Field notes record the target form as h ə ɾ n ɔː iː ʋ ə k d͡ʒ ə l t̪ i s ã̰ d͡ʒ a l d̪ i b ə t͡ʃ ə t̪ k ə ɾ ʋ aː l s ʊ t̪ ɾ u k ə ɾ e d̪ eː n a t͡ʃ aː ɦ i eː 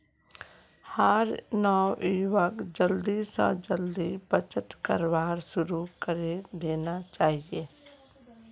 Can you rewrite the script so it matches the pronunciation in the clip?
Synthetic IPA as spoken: h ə ɾ n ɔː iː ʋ ə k d͡ʒ ə l d̪ i s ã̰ d͡ʒ ə l d̪ i b ə t͡ʃ ə t̪ k ə ɾ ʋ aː ɾ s ʊ ɾ u k ə ɾ e d̪ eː n a t͡ʃ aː ɦ i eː